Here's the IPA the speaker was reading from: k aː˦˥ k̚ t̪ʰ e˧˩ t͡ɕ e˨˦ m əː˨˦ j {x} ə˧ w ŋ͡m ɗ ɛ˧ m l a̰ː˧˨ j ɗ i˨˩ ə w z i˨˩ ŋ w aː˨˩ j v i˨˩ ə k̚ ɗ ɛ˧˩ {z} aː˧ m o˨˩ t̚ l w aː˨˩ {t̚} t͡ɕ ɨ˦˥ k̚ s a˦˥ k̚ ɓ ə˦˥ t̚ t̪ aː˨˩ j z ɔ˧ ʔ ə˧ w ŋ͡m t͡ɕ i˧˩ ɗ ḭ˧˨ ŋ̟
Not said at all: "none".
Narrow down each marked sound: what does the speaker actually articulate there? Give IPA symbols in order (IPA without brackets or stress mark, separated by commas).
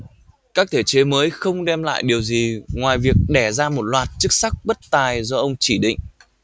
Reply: x, z, t̚